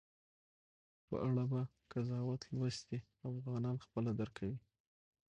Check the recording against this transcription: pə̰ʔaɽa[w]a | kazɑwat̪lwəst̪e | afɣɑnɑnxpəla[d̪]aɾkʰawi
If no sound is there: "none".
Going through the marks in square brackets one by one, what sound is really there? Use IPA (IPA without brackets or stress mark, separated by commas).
b, d̪